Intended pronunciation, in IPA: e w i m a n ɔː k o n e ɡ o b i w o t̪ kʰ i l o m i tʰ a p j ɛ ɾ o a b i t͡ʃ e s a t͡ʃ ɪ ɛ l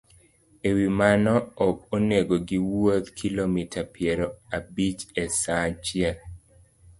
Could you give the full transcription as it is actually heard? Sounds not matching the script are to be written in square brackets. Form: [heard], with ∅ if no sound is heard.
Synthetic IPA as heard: e w i m a n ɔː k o n e ɡ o [ɡ] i w o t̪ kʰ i l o m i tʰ a p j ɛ ɾ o a b i t͡ʃ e s a t͡ʃ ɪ ɛ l